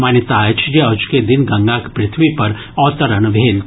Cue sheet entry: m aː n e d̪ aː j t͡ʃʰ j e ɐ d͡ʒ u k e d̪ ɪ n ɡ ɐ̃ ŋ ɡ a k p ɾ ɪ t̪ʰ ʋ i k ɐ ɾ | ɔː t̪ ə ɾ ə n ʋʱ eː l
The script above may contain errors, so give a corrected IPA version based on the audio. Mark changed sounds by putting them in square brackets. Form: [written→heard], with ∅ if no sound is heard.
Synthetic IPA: m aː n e [d̪→t̪] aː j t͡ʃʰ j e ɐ d͡ʒ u k e d̪ ɪ n ɡ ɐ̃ ŋ ɡ a k p ɾ ɪ t̪ʰ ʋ i [k→p] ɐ ɾ | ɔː t̪ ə ɾ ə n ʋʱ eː l